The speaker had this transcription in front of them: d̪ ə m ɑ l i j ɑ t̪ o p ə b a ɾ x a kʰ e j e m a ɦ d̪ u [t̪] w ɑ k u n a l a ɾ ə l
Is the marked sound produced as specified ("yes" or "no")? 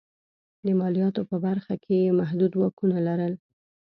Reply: no